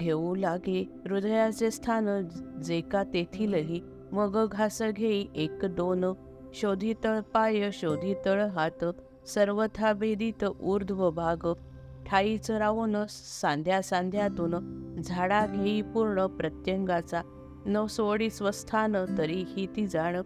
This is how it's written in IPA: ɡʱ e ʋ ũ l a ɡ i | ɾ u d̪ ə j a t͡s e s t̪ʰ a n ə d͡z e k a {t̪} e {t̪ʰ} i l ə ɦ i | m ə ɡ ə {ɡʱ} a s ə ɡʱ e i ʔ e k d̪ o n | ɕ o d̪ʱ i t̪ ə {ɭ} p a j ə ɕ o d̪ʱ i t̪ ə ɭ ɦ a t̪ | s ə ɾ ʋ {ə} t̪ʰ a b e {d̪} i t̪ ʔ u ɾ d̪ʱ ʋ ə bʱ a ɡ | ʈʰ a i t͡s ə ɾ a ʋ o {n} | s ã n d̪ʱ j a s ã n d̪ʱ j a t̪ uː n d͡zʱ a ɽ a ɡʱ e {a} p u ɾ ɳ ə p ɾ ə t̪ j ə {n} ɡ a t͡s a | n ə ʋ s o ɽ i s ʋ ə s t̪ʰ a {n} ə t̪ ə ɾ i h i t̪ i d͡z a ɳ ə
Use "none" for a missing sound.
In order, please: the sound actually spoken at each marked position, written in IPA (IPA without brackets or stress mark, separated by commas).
t̪, t̪ʰ, ɡʱ, ɭ, ə, d̪, n, i, ŋ, n